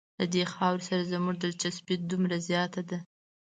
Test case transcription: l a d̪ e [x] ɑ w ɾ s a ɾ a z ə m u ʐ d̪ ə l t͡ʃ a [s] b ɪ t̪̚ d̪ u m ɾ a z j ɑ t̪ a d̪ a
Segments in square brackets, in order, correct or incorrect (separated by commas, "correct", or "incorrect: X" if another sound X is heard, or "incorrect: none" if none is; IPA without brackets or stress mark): correct, correct